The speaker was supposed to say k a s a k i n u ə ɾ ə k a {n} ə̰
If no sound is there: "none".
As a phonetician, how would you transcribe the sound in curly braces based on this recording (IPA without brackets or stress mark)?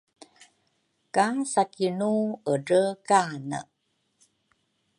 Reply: n